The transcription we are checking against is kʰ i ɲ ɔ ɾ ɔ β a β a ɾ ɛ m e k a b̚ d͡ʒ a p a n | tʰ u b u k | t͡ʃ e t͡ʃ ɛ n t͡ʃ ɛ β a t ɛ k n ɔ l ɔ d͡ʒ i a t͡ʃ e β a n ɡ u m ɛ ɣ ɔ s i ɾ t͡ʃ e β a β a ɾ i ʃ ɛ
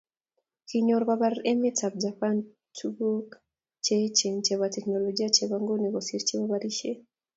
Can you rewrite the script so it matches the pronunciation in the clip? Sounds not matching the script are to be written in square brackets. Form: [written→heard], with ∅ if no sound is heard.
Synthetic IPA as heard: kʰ i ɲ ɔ ɾ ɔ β a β a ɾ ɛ m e [k→t] a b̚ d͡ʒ a p a n | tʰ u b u k | t͡ʃ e t͡ʃ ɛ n t͡ʃ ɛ β a t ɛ k n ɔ l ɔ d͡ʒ i a t͡ʃ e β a [n→ŋ] ɡ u [m→n] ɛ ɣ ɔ s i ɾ t͡ʃ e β a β a ɾ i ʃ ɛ

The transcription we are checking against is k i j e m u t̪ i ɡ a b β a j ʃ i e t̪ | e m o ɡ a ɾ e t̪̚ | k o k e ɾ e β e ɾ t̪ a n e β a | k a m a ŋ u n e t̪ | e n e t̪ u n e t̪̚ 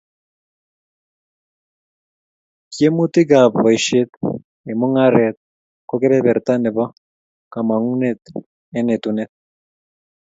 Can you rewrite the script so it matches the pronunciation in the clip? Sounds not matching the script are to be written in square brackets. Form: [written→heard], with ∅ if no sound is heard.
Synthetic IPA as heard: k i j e m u t̪ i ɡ a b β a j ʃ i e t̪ | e m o [ɡ→ŋ] a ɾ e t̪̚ | k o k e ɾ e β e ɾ t̪ a n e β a | k a m a ŋ u n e t̪ | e n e t̪ u n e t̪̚

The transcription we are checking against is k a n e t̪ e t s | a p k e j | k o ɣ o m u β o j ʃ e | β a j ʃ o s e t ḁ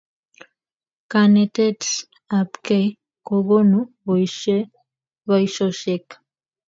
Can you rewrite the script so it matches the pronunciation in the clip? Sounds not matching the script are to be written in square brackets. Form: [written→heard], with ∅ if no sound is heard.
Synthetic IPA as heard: k a n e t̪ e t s | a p k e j | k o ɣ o [m→n] u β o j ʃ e | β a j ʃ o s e [t→k] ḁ

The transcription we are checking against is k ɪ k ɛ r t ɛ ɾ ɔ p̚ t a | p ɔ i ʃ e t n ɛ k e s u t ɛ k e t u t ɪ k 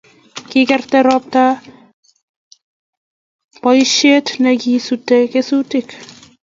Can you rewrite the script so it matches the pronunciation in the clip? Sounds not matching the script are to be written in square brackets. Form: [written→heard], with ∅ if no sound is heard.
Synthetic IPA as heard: k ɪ k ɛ r t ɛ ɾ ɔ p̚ t a | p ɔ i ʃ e t n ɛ k [e→i] s u t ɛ k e [t→s] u t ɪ k

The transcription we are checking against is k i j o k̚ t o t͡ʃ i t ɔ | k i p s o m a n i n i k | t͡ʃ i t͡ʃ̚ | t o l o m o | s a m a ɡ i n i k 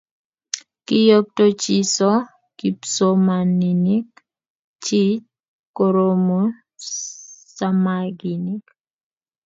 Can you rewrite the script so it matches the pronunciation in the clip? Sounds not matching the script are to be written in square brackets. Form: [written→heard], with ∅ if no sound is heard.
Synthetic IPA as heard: k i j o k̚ t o t͡ʃ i [t→s] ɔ | k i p s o m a n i n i k | t͡ʃ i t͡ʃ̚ | [t→k] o [l→ɾ] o m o | s a m a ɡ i n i k

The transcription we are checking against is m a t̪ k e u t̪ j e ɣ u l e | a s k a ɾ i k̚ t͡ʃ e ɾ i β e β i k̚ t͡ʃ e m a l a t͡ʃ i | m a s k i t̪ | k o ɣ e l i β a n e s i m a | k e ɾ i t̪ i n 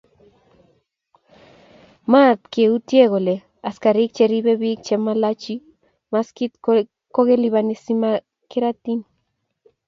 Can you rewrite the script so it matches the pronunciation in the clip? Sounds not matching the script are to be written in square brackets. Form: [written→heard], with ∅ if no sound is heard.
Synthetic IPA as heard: m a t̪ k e u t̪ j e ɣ [u→o] l e | a s k a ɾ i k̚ t͡ʃ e ɾ i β e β i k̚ t͡ʃ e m a l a t͡ʃ i | m a s k i t̪ | k o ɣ e l i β a n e s i m a | k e ɾ [i→a] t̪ i n

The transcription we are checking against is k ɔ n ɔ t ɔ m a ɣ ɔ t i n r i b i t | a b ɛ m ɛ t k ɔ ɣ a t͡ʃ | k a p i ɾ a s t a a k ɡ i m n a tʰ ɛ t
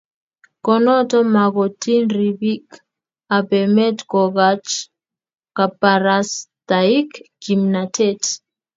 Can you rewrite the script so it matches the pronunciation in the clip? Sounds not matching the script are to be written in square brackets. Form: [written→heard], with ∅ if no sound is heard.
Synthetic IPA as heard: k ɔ n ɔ t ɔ m a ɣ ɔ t i n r i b i [t→k] | a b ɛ m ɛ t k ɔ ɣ a t͡ʃ | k a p [i→a] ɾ a s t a [a→i] k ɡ i m n a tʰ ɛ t

